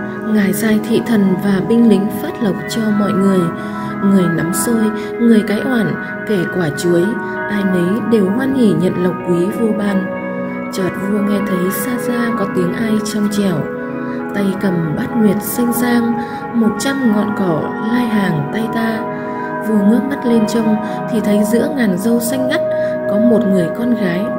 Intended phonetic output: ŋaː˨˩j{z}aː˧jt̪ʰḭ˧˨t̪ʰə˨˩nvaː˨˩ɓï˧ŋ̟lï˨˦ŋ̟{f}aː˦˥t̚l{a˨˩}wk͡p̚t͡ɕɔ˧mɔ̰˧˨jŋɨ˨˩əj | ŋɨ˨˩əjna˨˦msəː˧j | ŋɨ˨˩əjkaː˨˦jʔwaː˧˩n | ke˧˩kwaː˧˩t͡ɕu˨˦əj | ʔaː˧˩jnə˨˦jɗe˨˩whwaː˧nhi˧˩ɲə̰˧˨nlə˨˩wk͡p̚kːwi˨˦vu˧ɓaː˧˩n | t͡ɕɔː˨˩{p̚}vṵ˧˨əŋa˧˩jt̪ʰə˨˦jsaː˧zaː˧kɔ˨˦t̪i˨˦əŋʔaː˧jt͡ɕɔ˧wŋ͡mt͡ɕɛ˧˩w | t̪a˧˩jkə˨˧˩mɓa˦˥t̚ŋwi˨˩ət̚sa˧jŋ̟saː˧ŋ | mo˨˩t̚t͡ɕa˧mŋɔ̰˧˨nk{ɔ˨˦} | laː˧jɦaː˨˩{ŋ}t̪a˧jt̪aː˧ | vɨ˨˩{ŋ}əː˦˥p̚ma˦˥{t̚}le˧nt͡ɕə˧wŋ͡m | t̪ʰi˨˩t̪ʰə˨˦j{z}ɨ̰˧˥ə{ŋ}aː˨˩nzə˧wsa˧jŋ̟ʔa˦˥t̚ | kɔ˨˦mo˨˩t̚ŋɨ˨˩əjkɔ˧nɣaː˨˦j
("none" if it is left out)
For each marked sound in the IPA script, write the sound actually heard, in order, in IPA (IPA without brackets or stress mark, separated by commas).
z, f, ə˨˩, t̚, ɔ˧˩, ŋ, ŋ, t̚, z, ŋ